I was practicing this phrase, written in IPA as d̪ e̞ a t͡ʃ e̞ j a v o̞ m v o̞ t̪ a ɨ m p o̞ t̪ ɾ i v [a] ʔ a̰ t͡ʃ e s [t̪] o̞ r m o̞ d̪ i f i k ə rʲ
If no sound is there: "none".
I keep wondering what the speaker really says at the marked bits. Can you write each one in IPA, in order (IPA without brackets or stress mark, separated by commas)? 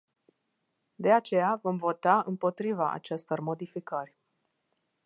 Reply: a, t̪